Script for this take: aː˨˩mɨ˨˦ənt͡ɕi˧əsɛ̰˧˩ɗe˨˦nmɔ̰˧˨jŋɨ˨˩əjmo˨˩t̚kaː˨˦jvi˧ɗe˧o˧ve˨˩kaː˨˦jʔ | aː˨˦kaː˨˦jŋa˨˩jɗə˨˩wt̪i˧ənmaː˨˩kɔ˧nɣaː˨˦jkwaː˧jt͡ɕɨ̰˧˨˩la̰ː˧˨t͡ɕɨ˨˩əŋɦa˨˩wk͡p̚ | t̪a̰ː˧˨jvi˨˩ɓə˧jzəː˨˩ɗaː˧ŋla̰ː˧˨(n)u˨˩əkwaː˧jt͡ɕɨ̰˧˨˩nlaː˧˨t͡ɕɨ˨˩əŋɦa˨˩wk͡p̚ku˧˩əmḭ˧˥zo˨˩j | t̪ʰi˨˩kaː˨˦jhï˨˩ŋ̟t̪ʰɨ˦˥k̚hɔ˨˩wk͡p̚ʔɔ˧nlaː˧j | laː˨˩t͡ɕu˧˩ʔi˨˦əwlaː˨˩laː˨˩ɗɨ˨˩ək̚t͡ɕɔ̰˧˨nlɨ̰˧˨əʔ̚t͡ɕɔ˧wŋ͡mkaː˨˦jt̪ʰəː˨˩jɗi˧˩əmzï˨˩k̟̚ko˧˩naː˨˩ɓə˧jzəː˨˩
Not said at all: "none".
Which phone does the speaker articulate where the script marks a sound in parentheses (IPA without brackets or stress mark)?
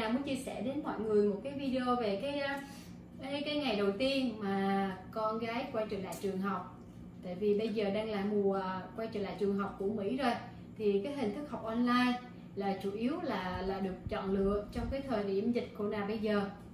m